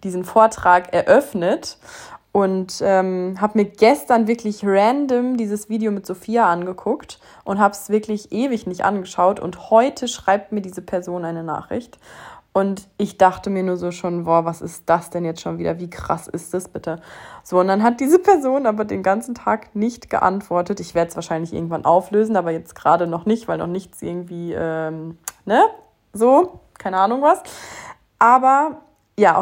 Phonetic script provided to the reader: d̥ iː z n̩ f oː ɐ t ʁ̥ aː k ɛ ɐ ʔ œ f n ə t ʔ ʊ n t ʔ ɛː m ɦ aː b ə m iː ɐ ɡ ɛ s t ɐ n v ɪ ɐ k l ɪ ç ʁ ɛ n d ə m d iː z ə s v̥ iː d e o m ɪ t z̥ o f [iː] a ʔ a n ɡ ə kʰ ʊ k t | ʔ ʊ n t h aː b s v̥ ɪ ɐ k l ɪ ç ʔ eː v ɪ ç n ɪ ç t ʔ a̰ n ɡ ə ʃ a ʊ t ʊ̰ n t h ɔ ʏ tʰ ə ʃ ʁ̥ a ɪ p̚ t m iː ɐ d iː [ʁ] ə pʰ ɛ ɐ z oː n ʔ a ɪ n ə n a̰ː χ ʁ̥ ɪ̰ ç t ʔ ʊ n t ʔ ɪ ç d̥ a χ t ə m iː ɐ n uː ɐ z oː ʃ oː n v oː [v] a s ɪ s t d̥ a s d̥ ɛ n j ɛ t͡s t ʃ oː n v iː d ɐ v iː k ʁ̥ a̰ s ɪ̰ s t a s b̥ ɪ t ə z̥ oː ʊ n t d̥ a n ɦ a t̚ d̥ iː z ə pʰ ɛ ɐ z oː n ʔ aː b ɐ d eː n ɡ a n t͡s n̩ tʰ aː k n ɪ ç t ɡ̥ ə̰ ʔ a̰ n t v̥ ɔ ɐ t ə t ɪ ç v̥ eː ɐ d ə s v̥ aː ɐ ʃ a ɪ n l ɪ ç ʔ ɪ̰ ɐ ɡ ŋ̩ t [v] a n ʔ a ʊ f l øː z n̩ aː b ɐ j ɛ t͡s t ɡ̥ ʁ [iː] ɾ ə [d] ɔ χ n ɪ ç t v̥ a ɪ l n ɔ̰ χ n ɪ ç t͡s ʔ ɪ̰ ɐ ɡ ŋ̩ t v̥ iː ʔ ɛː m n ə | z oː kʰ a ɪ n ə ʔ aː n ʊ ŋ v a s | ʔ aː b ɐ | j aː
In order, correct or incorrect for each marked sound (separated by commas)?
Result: correct, incorrect, correct, correct, incorrect, incorrect